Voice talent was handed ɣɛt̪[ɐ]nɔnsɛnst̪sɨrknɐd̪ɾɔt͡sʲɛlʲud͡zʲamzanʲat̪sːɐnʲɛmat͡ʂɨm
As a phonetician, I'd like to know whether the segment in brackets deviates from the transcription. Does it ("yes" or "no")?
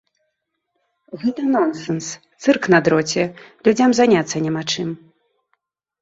no